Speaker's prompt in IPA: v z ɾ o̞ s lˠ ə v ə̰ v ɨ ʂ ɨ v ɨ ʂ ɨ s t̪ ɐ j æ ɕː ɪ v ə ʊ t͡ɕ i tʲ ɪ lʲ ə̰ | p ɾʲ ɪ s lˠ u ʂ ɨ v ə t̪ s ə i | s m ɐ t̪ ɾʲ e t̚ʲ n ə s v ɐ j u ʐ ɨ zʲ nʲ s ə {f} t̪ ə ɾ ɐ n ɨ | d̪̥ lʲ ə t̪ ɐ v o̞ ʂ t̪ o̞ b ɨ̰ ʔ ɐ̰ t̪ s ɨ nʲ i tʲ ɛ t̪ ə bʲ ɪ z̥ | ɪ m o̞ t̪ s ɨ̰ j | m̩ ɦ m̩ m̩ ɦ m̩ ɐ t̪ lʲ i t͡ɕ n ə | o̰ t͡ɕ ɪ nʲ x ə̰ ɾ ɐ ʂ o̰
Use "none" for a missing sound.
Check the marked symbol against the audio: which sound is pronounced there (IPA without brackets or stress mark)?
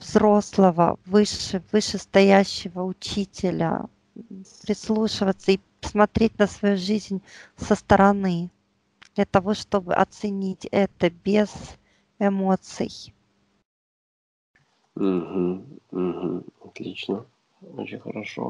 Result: s